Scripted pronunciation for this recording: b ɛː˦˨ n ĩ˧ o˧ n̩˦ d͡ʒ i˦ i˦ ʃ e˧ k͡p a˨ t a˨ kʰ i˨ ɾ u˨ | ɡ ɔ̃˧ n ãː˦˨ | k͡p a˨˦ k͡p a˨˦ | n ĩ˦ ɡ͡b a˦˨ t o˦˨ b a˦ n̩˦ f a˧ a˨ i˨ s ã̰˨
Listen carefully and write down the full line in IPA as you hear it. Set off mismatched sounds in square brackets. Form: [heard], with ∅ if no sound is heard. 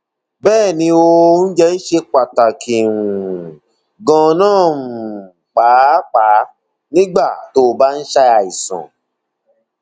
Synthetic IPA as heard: b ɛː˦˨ n ĩ˧ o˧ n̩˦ d͡ʒ [ɛ˦] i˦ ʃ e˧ k͡p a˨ t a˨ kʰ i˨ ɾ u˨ | ɡ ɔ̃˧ n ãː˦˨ | k͡p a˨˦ k͡p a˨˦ | n ĩ˦ ɡ͡b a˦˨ t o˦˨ b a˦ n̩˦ [ʃ] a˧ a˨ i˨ s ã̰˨